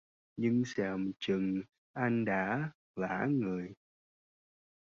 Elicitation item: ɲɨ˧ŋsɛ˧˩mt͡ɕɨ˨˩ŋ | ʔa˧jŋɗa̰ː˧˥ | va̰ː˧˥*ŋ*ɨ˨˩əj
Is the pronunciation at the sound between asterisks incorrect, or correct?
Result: correct